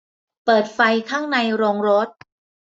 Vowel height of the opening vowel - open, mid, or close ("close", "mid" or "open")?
mid